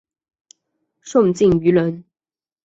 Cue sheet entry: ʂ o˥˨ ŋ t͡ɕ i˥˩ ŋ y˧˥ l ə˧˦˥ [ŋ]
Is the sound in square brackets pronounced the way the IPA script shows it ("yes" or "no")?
no